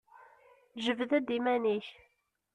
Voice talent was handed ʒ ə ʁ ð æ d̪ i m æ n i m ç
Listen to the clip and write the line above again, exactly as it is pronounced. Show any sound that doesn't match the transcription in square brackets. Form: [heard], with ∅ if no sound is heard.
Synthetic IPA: ʒ ə [v] ð æ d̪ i m æ n i [∅] ç